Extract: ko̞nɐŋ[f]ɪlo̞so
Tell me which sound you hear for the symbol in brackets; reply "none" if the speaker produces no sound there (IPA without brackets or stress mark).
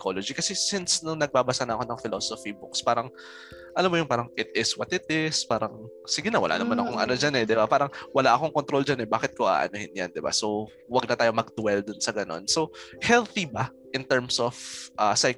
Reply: f